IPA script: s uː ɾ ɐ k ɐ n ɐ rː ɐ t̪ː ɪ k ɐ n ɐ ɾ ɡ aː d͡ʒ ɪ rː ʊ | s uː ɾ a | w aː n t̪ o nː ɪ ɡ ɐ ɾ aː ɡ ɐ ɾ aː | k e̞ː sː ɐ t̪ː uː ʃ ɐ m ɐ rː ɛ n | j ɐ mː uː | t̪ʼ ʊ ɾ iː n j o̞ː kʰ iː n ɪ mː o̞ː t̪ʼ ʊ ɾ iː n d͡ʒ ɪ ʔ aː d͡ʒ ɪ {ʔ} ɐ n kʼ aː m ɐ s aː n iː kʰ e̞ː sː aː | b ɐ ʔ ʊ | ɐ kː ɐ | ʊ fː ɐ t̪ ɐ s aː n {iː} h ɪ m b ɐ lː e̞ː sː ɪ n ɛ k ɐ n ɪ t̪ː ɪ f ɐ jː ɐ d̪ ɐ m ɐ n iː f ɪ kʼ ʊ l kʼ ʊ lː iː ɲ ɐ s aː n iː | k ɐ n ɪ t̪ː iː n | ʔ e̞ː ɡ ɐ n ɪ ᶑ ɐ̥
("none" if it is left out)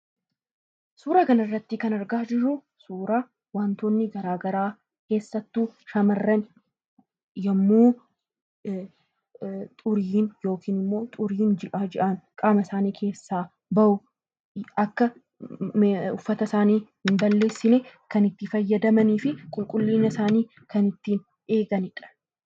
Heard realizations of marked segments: ʔ, iː

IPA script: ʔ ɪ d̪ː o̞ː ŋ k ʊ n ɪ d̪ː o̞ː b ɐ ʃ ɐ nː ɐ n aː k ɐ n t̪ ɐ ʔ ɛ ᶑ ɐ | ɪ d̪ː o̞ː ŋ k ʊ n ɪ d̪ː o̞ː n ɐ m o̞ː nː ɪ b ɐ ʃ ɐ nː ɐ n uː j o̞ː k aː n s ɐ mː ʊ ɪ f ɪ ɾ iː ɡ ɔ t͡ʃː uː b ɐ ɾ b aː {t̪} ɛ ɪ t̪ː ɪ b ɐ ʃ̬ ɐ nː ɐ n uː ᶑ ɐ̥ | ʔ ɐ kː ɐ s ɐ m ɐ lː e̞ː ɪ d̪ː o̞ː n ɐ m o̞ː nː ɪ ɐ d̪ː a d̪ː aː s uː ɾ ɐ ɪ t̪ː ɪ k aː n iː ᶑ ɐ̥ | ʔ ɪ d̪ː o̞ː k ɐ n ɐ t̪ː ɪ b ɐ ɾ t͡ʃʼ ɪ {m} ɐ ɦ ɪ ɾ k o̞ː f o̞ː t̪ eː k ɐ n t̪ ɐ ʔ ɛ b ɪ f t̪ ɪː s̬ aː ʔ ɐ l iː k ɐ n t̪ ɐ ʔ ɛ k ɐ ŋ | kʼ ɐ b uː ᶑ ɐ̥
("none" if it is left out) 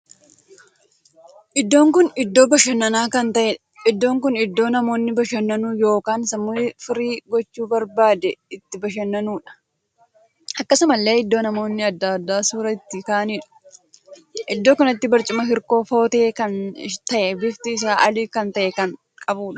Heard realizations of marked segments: d̪, m

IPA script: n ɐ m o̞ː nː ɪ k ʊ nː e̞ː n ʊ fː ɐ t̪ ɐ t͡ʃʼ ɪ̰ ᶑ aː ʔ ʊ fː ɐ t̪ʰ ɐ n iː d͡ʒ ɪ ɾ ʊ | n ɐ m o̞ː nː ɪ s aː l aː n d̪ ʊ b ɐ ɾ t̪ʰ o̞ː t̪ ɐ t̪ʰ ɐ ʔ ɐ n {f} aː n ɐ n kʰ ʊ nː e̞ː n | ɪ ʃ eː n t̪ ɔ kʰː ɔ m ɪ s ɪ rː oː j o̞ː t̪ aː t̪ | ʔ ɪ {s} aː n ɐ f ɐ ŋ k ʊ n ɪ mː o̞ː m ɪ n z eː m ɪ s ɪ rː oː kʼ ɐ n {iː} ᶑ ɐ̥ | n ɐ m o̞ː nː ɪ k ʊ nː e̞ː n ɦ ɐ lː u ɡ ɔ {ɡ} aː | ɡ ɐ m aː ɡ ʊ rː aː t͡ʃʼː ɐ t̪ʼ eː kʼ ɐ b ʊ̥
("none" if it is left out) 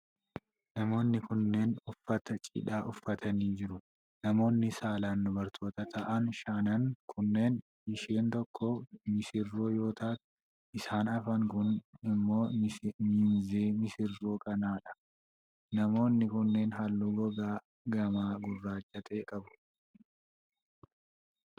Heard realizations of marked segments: ʃ, s, aː, ɡ

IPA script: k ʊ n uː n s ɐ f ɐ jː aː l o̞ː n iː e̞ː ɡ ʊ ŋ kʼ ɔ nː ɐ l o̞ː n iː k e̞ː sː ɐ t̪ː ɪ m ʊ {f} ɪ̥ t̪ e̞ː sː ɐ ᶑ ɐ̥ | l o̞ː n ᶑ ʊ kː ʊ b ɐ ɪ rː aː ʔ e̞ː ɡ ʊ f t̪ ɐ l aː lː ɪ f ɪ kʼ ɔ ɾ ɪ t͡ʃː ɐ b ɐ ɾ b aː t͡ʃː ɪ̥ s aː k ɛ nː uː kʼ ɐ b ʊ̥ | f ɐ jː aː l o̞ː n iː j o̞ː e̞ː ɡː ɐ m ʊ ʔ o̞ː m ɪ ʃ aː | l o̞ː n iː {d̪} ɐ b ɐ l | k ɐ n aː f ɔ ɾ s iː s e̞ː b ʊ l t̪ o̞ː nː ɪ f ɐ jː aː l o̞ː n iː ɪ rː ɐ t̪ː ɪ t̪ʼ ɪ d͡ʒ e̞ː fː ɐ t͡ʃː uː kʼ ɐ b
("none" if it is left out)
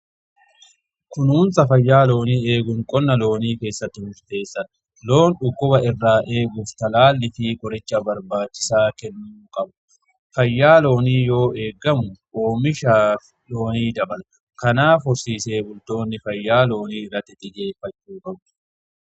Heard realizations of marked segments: ʃ, d̪

